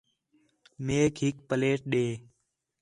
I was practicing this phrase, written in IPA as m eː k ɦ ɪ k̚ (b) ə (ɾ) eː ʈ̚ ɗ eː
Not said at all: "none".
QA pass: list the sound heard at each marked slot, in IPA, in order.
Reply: p, l

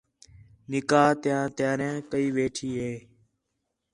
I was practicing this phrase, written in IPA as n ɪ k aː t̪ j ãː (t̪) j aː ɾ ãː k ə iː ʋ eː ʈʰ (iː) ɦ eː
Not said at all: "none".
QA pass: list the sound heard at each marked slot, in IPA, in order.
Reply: t̪, iː

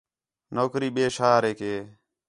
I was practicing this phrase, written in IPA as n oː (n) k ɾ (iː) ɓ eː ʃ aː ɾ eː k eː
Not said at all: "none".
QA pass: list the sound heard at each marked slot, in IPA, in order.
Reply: none, iː

